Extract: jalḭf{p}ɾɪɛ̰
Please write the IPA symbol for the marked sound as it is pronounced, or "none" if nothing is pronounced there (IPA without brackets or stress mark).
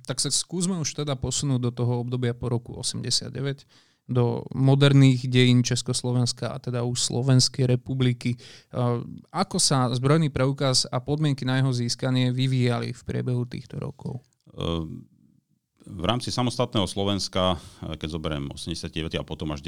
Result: p